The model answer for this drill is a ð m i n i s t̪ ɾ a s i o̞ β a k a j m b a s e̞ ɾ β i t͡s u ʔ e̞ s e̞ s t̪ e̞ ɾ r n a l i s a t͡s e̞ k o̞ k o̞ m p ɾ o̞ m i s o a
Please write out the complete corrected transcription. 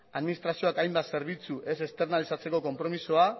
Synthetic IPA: a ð m i n i s t̪ ɾ a s i o̞ a k a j m b a s e̞ ɾ β i t͡s u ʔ e̞ s e̞ s t̪ e̞ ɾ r n a l i s a t͡s e̞ k o̞ k o̞ m p ɾ o̞ m i s o a